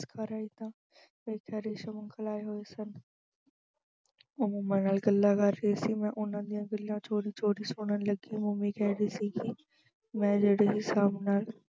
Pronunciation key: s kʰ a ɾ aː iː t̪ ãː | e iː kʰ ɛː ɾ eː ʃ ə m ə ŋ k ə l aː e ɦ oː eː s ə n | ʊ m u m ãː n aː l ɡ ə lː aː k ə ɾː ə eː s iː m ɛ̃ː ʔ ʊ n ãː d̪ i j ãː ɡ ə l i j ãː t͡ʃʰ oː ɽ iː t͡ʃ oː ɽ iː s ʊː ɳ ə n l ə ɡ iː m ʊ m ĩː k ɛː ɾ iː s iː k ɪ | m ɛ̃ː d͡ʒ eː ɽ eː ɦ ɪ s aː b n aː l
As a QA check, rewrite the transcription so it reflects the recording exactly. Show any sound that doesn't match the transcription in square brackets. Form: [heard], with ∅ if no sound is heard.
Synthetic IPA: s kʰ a ɾ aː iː t̪ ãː | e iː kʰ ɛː ɾ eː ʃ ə m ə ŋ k ə l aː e ɦ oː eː s ə n | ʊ m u m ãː n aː l ɡ ə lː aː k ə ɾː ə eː s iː m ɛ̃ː ʔ ʊ n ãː d̪ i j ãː ɡ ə l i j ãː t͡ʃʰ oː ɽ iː t͡ʃ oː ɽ iː s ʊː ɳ ə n l ə ɡ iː m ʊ m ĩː k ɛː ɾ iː s iː k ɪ | m ɛ̃ː d͡ʒ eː ɽ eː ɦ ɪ s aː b n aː l